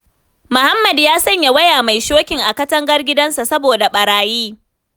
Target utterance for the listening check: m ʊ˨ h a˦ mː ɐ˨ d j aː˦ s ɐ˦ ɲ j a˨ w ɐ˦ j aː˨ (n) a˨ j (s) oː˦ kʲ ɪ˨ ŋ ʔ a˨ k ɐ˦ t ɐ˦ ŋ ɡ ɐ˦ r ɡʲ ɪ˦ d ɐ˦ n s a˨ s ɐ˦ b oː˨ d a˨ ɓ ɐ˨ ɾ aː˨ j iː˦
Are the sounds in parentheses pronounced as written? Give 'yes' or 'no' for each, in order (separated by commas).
no, no